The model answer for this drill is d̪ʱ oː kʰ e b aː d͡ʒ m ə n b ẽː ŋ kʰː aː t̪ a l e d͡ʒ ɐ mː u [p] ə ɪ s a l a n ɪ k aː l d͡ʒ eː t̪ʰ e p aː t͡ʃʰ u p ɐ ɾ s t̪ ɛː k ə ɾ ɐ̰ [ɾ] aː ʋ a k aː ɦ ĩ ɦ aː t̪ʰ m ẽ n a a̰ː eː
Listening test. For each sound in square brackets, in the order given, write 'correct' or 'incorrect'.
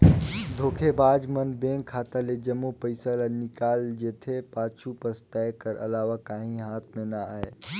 correct, incorrect: l

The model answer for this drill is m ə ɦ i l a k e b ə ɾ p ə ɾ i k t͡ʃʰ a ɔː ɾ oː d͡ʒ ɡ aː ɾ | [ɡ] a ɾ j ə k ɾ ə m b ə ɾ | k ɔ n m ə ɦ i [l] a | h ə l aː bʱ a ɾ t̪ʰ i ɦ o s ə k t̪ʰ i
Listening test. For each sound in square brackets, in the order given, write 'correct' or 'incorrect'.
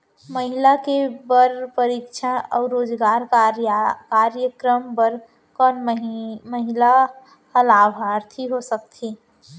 incorrect: k, correct

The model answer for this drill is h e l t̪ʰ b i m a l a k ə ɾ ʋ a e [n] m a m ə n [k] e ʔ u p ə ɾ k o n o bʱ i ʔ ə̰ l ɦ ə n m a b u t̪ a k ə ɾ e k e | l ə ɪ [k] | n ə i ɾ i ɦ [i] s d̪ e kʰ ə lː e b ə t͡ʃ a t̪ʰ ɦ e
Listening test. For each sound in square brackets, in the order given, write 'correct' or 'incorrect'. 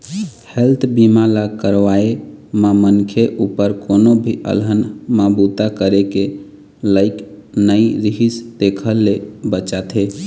incorrect: none, incorrect: kʰ, correct, correct

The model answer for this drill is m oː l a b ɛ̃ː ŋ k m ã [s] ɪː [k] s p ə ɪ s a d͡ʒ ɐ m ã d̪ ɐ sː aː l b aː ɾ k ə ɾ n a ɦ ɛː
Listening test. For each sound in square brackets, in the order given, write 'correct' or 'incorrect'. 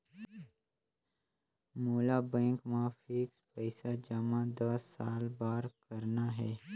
incorrect: f, correct

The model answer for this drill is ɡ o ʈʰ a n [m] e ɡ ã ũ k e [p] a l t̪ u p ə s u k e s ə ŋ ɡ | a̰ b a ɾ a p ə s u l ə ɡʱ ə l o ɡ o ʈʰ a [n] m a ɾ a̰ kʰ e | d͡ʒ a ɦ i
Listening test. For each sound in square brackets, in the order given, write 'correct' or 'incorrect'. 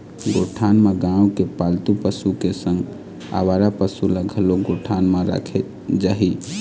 correct, correct, correct

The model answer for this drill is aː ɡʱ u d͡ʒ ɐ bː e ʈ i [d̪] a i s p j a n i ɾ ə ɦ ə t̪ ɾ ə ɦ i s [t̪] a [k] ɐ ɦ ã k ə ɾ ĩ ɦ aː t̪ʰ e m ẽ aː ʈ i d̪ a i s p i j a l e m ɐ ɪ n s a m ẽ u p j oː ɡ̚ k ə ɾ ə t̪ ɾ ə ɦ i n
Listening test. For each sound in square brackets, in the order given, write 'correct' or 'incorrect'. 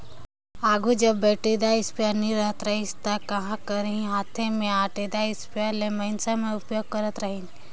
correct, correct, correct

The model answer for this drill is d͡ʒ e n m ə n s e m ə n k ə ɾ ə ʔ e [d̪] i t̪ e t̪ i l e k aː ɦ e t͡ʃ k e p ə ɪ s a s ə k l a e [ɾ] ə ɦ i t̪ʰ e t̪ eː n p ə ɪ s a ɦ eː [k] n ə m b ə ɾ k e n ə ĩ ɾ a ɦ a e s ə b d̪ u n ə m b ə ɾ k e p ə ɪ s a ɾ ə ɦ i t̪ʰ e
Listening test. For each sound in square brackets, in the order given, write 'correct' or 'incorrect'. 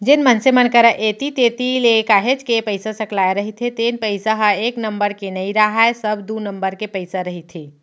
incorrect: t̪, correct, correct

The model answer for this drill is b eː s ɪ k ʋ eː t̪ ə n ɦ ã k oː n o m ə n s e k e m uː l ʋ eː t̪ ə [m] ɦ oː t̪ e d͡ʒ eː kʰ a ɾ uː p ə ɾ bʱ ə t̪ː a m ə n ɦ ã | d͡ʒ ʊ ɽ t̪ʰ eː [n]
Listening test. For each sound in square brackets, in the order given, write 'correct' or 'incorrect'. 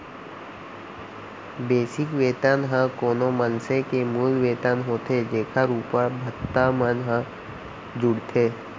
incorrect: n, incorrect: none

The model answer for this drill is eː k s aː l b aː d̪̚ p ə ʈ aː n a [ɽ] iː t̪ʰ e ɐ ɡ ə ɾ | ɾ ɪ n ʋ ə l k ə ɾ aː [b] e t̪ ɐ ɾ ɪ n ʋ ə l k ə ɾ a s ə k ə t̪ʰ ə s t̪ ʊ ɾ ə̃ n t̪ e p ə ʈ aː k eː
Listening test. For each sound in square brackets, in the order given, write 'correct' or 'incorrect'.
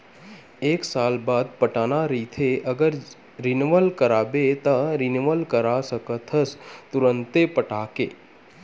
incorrect: ɾ, correct

